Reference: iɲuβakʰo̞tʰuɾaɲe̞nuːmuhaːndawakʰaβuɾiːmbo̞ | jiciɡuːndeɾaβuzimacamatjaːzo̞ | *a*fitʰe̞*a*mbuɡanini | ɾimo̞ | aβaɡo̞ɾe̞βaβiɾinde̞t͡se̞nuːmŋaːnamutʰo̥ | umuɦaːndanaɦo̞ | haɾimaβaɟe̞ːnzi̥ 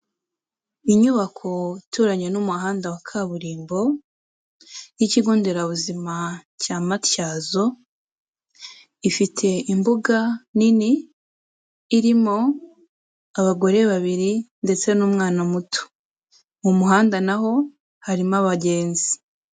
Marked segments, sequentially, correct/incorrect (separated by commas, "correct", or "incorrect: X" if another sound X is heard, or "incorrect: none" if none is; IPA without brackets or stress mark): incorrect: i, incorrect: i